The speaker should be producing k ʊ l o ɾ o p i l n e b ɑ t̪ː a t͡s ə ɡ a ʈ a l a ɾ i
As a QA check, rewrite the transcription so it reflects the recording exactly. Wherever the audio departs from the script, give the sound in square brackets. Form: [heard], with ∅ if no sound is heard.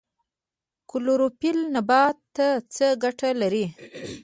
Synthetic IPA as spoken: k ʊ l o ɾ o p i l n [a] b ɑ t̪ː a t͡s ə ɡ a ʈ a l a ɾ i